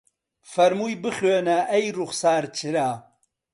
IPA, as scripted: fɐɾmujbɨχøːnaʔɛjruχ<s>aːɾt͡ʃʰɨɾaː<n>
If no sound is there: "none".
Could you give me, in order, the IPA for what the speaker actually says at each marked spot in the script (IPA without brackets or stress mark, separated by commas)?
s, none